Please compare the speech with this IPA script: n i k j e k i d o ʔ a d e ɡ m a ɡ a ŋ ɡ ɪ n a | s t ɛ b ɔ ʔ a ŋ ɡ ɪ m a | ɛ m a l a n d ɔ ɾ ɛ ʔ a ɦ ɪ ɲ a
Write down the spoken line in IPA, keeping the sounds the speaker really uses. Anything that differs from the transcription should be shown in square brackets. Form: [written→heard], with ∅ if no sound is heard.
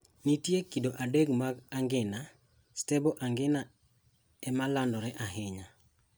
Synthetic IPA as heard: n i [k→t] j e k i d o ʔ a d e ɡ m a ɡ a ŋ ɡ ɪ n a | s t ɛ b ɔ ʔ a ŋ ɡ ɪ [m→n] a | ɛ m a l a n d ɔ ɾ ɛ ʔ a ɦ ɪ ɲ a